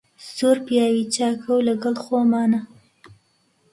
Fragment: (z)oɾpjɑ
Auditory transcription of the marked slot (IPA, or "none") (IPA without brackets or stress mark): s